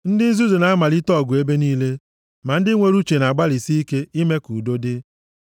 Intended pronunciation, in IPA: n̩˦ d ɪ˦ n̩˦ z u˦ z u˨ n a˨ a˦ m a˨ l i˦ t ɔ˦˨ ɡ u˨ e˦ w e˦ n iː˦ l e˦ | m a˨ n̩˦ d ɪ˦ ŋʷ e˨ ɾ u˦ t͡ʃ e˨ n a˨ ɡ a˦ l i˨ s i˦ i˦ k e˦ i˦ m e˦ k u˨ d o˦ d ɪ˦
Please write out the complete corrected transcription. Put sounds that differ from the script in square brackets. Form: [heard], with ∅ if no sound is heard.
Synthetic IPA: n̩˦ d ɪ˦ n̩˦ z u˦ z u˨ n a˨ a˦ m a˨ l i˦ t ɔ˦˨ ɡ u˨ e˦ [b] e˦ n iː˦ l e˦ | m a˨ n̩˦ d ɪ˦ ŋʷ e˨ ɾ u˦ t͡ʃ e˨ n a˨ [ɡ͡b] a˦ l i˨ s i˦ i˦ k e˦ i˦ m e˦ k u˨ d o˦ d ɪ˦